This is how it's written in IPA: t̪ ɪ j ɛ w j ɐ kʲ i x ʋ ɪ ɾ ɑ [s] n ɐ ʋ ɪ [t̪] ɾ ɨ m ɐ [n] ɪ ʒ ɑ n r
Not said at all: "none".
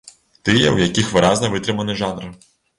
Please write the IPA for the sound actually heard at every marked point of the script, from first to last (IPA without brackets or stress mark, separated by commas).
z, t̪, n